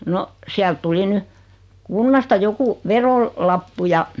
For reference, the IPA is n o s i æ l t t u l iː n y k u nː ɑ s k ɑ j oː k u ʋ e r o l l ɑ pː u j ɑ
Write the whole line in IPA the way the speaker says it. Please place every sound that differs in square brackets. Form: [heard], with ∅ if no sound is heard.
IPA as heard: n o s i æ l t t u l [i] n y k u nː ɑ s [t] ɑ j [o] k u ʋ e r o l l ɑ pː u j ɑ